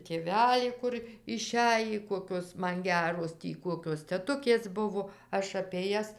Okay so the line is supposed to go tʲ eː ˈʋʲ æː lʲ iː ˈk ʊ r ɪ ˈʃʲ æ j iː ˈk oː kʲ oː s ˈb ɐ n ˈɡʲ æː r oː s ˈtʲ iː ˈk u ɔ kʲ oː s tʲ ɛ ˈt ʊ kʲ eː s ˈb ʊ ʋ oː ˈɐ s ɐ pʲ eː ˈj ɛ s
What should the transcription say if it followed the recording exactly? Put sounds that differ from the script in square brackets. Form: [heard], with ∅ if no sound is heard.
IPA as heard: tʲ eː ˈʋʲ æː lʲ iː ˈk ʊ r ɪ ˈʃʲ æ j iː ˈk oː kʲ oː s [ˈm] ɐ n ˈɡʲ æː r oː s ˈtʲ iː ˈk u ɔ kʲ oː s tʲ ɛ ˈt ʊ kʲ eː s ˈb ʊ ʋ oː ˈɐ [ʃ] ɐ pʲ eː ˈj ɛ s